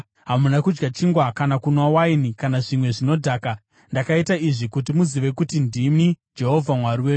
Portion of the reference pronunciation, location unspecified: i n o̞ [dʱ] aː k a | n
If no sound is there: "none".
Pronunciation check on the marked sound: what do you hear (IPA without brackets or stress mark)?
dʱ